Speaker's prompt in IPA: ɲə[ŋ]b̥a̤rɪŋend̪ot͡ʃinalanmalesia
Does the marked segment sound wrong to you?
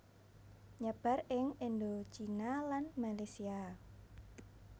yes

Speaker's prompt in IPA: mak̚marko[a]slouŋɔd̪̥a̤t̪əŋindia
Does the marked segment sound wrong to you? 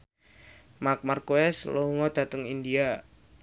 yes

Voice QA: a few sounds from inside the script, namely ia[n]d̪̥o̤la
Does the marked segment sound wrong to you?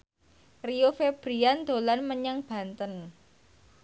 no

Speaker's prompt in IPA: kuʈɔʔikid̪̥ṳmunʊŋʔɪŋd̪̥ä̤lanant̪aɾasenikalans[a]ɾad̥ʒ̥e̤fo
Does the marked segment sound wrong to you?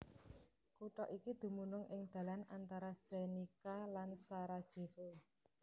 no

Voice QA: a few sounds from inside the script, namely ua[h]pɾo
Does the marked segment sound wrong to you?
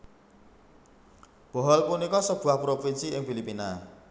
no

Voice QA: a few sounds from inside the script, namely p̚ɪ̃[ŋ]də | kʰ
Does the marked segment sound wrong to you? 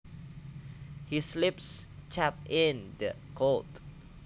yes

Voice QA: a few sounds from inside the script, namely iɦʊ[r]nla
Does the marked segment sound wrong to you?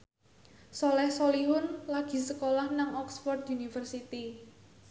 yes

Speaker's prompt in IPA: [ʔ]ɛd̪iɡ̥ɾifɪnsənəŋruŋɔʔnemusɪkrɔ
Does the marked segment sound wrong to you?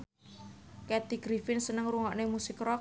yes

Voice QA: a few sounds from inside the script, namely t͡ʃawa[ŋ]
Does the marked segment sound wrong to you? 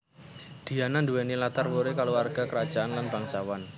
yes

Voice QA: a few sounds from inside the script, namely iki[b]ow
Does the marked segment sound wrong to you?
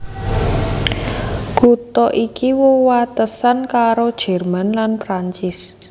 yes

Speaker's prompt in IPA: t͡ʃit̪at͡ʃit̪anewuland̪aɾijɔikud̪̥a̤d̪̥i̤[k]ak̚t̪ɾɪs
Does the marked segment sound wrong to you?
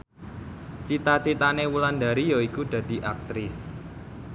yes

